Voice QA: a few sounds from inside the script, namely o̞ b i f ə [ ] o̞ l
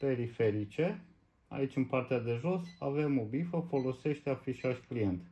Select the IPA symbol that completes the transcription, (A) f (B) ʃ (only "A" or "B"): A